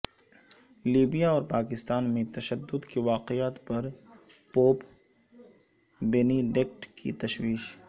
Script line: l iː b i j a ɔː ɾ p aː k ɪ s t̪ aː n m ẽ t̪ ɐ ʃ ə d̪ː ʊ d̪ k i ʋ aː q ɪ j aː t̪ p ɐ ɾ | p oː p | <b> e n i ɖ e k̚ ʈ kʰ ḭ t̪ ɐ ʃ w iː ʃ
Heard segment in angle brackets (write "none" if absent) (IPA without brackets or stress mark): b